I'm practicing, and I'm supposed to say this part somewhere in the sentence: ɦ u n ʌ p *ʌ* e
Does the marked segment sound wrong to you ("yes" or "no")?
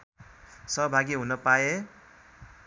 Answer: yes